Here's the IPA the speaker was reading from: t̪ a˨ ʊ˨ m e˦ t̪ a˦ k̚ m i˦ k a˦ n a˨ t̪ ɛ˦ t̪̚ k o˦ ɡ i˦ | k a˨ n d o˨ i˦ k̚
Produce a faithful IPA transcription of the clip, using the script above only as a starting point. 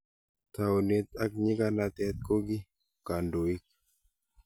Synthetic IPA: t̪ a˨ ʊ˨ n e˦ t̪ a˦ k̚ ɲ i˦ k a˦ n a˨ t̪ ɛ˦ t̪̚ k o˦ ɡ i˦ | k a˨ n d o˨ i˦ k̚